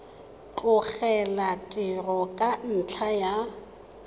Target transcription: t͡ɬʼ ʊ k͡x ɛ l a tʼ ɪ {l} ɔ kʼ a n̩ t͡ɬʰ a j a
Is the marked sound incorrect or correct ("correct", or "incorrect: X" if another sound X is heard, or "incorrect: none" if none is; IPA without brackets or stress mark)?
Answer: incorrect: r